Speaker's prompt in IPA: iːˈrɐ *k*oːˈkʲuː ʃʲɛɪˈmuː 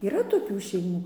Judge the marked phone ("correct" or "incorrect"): incorrect